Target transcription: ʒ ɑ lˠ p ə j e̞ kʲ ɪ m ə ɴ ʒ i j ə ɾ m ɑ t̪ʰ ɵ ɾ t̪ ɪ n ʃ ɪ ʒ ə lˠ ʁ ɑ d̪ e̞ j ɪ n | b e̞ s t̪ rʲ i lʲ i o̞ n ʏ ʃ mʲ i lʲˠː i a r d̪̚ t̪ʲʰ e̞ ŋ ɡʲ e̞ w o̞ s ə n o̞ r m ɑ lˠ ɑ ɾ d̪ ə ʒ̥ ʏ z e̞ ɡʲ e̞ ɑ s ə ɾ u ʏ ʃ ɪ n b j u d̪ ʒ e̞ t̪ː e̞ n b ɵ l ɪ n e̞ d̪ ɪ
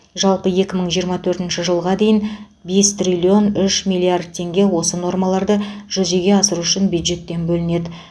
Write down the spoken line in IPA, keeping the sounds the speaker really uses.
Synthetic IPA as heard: ʒ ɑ lˠ p ə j e̞ kʲ ɪ m ə ɴ ʒ i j ə ɾ m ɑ t̪ʰ ɵ ɾ t̪ ɪ n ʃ ɪ ʒ ə lˠ ʁ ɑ d̪ e̞ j ɪ n | b e̞ s t̪ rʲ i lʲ i o̞ n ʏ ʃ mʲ i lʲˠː i a r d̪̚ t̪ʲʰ e̞ ŋ ɡʲ e̞ w o̞ s ə n o̞ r m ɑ lˠ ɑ ɾ d̪ ə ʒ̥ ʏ z e̞ ɡʲ e̞ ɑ s ə ɾ u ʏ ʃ ɪ n b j u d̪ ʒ e̞ t̪ː e̞ n b ɵ l ɪ n e̞ d̪ ɪ